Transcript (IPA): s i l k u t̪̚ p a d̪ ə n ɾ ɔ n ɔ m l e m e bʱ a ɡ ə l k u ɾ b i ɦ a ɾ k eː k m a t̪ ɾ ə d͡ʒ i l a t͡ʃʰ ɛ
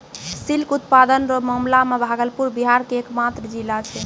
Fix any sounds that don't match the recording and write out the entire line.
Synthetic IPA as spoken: s i l k u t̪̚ p a d̪ ə n ɾ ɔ m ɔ m l a m e bʱ a ɡ ə l p u ɾ b i ɦ a ɾ k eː k m a t̪ ɾ ə d͡ʒ i l a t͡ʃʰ ɛ

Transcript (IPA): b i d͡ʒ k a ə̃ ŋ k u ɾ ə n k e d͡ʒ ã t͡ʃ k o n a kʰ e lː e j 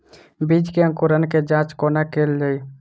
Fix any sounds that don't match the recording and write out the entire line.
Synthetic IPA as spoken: b i d͡ʒ k e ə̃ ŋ k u ɾ ə n k e d͡ʒ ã t͡ʃ k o n a k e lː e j

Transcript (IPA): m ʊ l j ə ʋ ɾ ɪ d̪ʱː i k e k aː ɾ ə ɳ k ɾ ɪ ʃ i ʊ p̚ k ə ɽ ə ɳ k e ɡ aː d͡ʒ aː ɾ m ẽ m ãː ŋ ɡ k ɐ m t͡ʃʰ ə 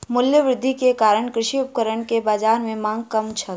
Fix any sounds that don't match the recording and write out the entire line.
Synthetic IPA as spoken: m ʊ l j ə ʋ ɾ ɪ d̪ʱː i k e k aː ɾ ə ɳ k ɾ ɪ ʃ i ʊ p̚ k ə ɾ ə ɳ k e b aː d͡ʒ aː ɾ m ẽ m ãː ŋ ɡ k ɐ m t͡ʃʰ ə

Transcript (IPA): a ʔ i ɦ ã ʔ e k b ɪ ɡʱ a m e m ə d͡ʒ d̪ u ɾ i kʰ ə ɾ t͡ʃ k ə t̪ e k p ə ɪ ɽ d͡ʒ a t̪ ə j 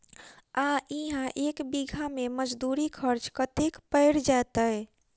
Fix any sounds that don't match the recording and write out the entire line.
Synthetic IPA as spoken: a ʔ i ɦ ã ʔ e k b i ɡʱ a m e m ə d͡ʒ d̪ u ɾ i kʰ ə ɾ t͡ʃ k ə t̪ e k p ə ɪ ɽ d͡ʒ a t̪ ə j

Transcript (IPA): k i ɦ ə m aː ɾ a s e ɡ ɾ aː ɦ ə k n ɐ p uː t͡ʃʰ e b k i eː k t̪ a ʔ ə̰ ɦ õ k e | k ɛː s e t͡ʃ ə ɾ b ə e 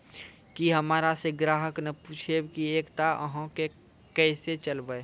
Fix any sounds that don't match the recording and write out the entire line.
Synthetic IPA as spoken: k i ɦ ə m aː ɾ a s e ɡ ɾ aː ɦ ə k n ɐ p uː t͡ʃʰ e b k i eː k t̪ a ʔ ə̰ ɦ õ k e | k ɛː s e t͡ʃ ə l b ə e

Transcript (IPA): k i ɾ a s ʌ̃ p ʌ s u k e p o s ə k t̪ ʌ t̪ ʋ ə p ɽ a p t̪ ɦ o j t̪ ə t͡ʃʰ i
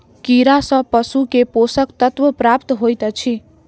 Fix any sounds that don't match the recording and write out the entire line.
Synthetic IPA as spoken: k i ɾ a s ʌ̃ p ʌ s u k e p o s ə k t̪ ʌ t̪ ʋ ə p ɾ a p t̪ ɦ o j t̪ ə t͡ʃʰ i

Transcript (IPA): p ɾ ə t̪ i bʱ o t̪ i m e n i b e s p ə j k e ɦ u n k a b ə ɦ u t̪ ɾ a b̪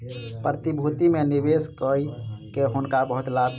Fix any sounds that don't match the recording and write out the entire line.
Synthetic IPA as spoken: p ɾ ə t̪ i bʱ u t̪ i m e n i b e s k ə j k e ɦ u n k a b ə ɦ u t̪ l a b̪

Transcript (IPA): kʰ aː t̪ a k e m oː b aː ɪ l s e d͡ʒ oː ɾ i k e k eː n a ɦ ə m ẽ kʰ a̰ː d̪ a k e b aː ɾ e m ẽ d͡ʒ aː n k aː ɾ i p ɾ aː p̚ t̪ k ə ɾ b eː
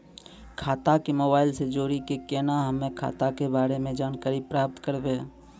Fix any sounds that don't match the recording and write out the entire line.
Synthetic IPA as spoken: kʰ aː t̪ a k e m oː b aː ɪ l s e d͡ʒ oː ɾ i k e k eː n a ɦ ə m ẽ kʰ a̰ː t̪ a k e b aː ɾ e m ẽ d͡ʒ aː n k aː ɾ i p ɾ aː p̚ t̪ k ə ɾ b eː

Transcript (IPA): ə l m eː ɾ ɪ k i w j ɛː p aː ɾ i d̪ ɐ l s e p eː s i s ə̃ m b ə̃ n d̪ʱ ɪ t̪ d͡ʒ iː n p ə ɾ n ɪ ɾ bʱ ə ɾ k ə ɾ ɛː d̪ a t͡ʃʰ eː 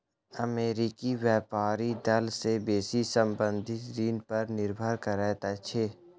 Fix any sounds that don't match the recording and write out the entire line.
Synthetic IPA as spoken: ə m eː ɾ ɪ k i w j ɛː p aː ɾ i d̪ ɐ l s e b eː s i s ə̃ m b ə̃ n d̪ʱ ɪ t̪ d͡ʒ iː n p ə ɾ n ɪ ɾ bʱ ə ɾ k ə ɾ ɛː t̪ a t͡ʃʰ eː

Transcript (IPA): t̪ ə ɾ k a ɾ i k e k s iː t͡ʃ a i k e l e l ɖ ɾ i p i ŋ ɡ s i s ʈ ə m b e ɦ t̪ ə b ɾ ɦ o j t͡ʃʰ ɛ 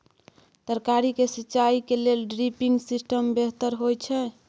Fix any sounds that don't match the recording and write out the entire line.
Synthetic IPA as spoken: t̪ ə ɾ k a ɾ i k e s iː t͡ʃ a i k e l e l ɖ ɾ i p i ŋ ɡ s i s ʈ ə m b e ɦ t̪ ə ɾ ɦ o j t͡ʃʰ ɛ

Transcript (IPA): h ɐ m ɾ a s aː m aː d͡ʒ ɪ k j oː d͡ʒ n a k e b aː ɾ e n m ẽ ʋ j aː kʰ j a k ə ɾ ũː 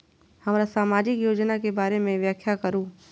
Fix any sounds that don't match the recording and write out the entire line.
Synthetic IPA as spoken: h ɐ m ɾ a s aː m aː d͡ʒ ɪ k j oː d͡ʒ n a k e b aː ɾ e m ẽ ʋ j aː kʰ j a k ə ɾ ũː

